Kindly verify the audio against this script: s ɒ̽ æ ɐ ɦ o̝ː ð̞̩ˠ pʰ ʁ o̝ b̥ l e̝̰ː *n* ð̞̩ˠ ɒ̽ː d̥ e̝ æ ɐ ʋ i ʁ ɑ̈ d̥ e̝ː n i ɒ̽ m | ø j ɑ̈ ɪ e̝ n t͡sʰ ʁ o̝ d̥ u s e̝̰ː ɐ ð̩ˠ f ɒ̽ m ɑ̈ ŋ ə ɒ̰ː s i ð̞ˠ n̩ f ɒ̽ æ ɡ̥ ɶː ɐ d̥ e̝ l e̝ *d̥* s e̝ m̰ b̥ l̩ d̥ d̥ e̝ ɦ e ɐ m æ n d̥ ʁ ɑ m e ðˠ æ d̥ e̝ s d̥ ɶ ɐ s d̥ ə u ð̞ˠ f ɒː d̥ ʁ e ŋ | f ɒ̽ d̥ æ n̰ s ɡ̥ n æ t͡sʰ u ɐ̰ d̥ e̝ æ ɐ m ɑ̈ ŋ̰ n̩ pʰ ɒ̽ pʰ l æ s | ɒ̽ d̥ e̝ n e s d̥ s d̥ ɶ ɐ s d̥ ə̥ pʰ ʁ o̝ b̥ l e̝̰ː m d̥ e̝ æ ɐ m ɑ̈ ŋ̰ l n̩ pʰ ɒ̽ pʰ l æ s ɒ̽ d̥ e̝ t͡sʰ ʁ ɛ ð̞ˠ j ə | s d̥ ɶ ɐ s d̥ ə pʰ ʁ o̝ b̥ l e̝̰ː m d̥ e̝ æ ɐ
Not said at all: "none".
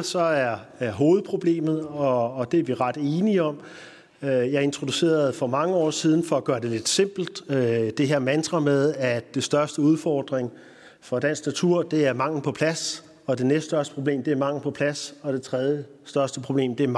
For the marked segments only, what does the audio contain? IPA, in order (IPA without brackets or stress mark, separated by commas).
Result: m, d̥